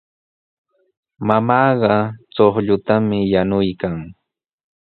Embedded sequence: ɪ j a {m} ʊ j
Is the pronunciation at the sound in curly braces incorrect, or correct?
incorrect